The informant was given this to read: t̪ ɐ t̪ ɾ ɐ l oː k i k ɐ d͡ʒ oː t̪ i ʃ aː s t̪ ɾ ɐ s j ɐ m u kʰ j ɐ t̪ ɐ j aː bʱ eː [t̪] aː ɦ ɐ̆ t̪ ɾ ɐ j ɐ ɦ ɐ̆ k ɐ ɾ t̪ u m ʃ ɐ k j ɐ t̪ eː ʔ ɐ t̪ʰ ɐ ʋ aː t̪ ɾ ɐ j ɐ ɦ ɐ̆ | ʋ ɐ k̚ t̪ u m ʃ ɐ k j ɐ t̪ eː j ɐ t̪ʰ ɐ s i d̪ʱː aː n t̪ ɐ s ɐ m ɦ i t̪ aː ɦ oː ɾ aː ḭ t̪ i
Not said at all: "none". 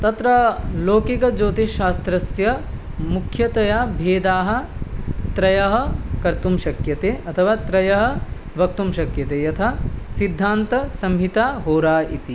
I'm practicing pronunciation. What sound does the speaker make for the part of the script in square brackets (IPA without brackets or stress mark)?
d̪